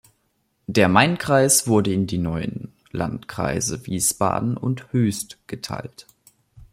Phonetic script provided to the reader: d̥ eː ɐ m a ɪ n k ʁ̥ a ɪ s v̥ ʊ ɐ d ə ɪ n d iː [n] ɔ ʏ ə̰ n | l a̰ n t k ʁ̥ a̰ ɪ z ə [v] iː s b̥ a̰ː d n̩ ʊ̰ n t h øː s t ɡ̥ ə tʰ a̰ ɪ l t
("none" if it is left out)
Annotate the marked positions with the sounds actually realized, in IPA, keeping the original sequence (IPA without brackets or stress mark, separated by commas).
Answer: n, v